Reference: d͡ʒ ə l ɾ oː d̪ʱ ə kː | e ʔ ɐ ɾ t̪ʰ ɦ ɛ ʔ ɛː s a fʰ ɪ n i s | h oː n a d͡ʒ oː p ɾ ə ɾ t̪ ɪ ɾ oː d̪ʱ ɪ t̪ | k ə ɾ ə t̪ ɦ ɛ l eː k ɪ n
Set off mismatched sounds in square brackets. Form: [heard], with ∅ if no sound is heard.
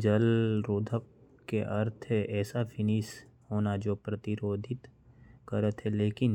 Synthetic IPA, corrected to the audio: d͡ʒ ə l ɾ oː d̪ʱ ə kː | e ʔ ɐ ɾ t̪ʰ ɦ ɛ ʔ ɛː s a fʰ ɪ n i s | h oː n a d͡ʒ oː p ɾ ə [∅] t̪ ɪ ɾ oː d̪ʱ ɪ t̪ | k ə ɾ ə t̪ ɦ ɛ l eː k ɪ n